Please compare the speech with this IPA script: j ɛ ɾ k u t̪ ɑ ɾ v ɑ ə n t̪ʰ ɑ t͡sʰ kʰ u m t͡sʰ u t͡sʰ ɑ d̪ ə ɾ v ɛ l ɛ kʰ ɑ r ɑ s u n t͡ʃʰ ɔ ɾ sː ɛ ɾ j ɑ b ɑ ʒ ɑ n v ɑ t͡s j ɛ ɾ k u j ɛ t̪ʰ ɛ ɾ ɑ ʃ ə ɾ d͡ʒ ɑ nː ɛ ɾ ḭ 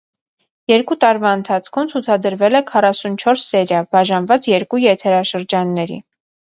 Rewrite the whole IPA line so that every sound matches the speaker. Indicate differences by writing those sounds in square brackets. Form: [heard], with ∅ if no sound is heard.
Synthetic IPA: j ɛ ɾ k u t̪ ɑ ɾ v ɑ ə n t̪ʰ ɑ t͡sʰ kʰ u m t͡sʰ u t͡sʰ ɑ d̪ ə ɾ v ɛ l ɛ kʰ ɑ r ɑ s u n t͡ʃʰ ɔ ɾ sː ɛ ɾ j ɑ b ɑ ʒ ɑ n v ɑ t͡s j ɛ ɾ k u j ɛ t̪ʰ ɛ ɾ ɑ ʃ ə ɾ d͡ʒ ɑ nː ɛ ɾ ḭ